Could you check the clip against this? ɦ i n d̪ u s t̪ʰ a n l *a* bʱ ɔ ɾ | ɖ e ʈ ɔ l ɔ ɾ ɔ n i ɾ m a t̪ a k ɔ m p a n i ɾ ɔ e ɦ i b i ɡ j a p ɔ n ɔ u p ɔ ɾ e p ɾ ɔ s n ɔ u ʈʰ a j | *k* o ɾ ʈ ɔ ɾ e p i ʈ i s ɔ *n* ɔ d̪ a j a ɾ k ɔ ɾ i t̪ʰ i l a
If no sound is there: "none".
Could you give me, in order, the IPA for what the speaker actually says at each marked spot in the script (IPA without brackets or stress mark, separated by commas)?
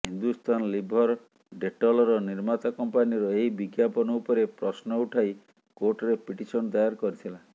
i, k, n